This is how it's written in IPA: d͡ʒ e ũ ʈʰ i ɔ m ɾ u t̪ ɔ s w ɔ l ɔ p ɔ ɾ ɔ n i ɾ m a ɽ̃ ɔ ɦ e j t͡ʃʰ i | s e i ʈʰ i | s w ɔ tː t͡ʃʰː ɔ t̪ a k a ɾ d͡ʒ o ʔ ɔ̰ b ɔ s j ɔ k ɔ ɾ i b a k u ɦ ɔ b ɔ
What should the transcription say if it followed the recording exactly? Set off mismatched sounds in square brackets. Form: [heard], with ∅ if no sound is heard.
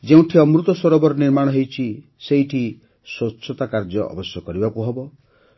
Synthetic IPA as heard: d͡ʒ e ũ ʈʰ i ɔ m ɾ u t̪ ɔ s w ɔ [ɾ] ɔ [b] ɔ ɾ ɔ n i ɾ m a ɽ̃ ɔ ɦ e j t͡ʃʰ i | s e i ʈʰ i | s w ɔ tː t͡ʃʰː ɔ t̪ a k a ɾ d͡ʒ [ɔ] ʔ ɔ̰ b ɔ s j ɔ k ɔ ɾ i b a k u ɦ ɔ b ɔ